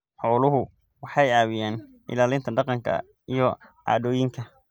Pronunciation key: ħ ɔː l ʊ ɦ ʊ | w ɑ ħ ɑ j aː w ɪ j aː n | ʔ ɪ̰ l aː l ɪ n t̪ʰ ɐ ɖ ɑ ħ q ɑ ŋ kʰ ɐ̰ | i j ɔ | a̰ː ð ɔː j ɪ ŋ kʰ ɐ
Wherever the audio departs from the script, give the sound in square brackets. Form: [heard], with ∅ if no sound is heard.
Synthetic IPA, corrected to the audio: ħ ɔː l ʊ ɦ ʊ | w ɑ ħ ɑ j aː w ɪ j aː n | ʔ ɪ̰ l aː l ɪ n t̪ʰ ɐ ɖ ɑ [∅] q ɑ ŋ kʰ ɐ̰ | i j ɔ | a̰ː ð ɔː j ɪ ŋ kʰ ɐ